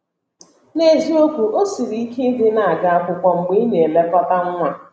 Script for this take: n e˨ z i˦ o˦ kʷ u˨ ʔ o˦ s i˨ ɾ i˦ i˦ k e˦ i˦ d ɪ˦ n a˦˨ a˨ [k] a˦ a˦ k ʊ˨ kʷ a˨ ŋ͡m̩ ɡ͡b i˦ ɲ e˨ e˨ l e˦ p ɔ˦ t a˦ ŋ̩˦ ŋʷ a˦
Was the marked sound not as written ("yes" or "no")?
yes